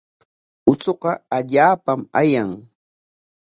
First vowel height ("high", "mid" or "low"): high